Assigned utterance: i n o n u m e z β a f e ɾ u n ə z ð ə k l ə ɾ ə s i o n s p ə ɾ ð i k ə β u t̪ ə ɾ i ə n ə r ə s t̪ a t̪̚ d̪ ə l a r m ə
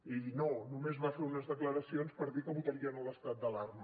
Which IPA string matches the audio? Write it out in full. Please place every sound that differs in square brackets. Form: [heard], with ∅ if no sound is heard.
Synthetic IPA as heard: i n o n u m e z β a f e ɾ u n ə z ð ə k l ə ɾ ə s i o n s p ə ɾ ð i k ə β u t̪ ə ɾ i ə n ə [l] ə s t̪ a t̪̚ d̪ ə l a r m ə